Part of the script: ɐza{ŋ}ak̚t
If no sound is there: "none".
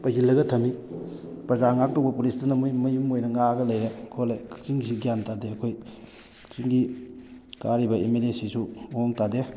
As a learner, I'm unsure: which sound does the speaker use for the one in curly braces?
ŋ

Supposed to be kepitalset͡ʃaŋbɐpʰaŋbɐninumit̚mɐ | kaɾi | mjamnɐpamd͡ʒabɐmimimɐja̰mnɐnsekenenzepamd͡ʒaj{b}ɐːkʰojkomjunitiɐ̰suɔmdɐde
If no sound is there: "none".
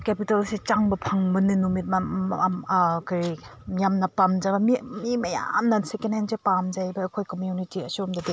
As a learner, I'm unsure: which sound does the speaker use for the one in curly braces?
b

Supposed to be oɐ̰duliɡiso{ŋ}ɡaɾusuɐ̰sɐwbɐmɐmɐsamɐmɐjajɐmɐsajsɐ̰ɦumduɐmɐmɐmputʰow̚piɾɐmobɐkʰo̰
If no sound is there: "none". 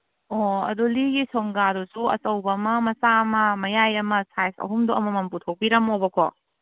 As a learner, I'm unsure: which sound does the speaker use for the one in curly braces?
ŋ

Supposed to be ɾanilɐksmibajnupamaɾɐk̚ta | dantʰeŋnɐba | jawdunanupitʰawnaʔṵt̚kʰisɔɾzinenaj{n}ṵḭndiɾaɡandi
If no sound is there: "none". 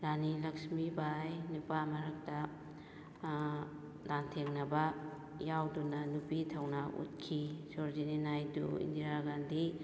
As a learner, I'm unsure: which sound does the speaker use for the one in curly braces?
d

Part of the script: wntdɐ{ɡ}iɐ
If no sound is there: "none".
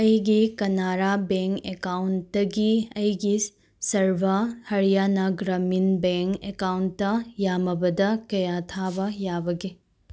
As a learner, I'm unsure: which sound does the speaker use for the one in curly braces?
ɡ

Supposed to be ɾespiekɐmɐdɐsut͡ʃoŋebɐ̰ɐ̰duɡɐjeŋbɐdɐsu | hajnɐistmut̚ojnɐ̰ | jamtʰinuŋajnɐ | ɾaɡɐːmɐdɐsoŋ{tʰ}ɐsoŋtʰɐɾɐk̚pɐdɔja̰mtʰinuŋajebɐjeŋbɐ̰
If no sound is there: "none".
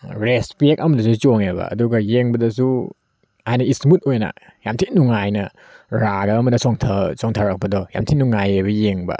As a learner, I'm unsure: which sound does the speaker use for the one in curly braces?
tʰ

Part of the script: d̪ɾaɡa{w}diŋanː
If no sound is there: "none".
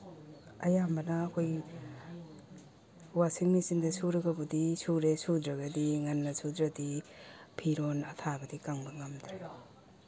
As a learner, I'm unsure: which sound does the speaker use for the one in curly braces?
none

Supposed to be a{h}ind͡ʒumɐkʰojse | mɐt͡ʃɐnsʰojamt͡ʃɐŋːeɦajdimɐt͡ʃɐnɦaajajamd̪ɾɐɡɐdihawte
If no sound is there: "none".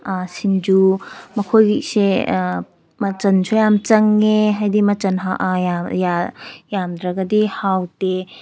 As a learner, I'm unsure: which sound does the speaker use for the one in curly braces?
s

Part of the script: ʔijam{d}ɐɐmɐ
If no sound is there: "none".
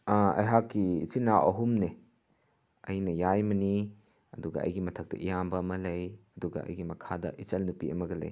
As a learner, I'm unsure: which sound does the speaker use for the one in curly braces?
b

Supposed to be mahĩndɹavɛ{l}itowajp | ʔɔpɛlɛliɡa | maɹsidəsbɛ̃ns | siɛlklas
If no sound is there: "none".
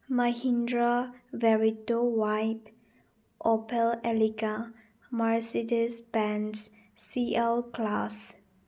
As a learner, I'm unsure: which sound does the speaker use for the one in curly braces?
ɹ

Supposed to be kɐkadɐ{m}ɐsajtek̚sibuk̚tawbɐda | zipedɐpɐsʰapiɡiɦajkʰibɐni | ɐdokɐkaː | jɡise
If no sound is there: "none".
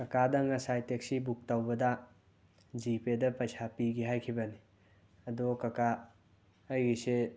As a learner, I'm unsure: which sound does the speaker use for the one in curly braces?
ŋ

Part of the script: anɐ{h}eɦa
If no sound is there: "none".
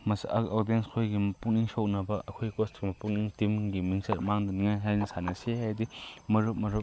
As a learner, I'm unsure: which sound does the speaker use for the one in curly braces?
s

